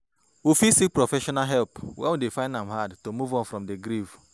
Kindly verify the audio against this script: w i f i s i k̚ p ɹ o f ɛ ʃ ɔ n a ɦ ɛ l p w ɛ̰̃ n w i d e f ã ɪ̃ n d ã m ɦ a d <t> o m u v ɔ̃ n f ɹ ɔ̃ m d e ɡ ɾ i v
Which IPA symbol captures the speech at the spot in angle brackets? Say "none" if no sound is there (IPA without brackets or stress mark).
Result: t